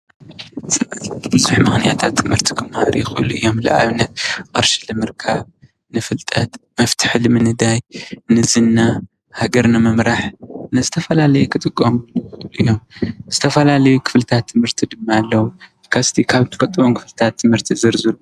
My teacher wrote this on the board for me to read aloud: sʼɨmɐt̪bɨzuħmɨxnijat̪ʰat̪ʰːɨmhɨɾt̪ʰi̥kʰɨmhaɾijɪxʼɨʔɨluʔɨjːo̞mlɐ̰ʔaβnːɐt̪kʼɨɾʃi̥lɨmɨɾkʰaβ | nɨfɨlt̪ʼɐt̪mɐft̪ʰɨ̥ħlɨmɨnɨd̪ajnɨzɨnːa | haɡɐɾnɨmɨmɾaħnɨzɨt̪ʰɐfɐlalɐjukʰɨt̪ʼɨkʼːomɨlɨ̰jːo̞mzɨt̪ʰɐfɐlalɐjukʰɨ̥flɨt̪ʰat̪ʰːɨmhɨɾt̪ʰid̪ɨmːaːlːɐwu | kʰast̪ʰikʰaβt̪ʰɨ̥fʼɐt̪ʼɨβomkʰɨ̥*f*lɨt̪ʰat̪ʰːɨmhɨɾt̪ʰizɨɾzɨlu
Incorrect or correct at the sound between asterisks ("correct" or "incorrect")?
correct